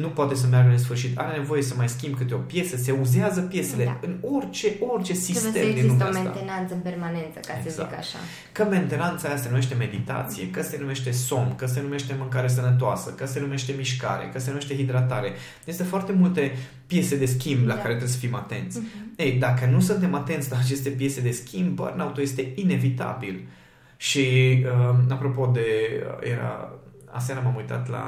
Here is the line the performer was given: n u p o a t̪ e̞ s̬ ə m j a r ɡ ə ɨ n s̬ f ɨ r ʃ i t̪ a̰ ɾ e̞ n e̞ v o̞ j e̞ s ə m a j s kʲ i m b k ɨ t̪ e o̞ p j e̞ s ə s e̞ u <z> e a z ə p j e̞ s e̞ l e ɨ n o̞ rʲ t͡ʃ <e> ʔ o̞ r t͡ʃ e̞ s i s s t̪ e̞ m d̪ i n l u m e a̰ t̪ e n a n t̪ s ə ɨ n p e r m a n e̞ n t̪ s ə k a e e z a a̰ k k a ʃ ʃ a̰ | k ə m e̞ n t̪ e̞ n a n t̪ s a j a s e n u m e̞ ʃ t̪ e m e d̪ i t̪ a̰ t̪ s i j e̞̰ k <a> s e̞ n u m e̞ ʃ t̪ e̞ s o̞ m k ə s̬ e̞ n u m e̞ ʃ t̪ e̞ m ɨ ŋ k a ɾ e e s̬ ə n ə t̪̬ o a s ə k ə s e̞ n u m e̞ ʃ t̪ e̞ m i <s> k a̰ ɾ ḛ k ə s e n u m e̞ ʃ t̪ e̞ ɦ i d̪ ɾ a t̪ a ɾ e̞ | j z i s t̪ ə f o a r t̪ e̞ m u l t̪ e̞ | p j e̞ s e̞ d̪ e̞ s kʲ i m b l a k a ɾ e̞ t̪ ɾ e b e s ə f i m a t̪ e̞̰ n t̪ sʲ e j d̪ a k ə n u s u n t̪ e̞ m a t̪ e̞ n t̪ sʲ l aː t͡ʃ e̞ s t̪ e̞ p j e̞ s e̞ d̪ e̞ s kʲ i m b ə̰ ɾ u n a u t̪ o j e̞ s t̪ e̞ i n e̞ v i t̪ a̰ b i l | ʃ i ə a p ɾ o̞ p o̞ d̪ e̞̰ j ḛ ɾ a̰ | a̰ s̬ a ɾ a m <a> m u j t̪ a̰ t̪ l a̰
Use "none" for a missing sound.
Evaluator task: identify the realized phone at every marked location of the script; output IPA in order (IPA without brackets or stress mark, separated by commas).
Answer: z, e, ə, ʃ, a